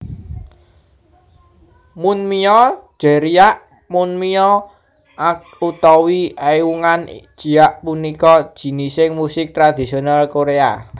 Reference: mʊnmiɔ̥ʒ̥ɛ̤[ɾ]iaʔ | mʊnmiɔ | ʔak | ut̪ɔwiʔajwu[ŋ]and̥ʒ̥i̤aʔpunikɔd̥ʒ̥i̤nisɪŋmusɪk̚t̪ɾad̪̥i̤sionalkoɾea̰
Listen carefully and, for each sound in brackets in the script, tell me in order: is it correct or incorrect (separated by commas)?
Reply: correct, correct